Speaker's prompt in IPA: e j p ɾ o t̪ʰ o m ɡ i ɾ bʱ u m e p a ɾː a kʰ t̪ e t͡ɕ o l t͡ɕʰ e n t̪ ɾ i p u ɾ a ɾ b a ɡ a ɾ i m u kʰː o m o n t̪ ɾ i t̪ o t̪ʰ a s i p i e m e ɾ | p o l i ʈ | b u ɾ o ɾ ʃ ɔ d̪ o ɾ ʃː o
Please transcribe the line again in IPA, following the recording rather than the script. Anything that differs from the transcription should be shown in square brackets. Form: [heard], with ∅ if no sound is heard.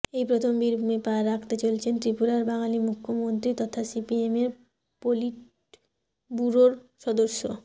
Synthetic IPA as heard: e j p ɾ o t̪ʰ o m [b] i ɾ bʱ u m e p a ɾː a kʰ t̪ e t͡ɕ o l t͡ɕʰ e n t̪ ɾ i p u ɾ a ɾ b a [ŋ] a [l] i m u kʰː o m o n t̪ ɾ i t̪ [ɔ] t̪ʰ a s i p i e m e ɾ | p o l i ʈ | b u ɾ o ɾ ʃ ɔ d̪ o ɾ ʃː o

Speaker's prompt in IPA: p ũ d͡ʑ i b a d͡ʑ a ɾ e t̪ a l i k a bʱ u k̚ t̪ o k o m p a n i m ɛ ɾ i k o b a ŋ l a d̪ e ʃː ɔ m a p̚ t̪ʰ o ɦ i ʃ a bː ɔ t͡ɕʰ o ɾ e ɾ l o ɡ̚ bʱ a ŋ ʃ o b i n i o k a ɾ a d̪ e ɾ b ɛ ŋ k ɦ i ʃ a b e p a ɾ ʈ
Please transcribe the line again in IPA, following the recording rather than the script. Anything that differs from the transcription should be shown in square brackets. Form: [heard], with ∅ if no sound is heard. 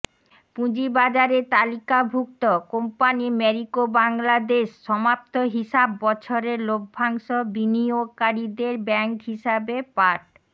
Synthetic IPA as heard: p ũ d͡ʑ i b a d͡ʑ a ɾ e t̪ a l i k a bʱ u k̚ t̪ o k o m p a n i m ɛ ɾ i k o b a ŋ l a d̪ e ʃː ɔ m a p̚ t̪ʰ o ɦ i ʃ a bː ɔ t͡ɕʰ o ɾ e ɾ l o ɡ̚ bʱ a ŋ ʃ o b i n i o k a ɾ [i] d̪ e ɾ b ɛ ŋ k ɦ i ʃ a b e p a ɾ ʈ

